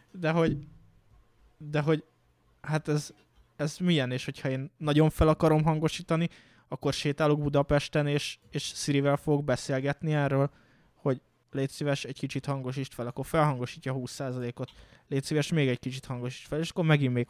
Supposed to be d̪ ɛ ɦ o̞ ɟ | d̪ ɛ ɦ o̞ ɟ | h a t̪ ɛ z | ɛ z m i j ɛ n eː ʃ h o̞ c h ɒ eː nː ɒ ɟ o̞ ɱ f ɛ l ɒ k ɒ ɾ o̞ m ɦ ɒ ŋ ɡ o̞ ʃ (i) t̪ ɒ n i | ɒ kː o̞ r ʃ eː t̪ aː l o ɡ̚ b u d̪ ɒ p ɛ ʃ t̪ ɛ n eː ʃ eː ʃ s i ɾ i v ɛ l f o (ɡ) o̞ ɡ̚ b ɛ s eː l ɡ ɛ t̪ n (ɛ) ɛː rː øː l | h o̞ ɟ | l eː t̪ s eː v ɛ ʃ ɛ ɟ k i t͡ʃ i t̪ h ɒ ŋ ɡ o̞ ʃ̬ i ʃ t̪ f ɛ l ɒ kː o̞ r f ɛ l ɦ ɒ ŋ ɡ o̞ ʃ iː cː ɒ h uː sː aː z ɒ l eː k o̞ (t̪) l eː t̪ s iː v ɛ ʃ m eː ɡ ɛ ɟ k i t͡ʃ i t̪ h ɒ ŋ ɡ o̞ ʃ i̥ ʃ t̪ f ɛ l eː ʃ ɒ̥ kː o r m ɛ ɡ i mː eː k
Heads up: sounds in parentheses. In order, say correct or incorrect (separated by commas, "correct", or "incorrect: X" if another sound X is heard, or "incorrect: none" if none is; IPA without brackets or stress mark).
incorrect: iː, correct, incorrect: i, correct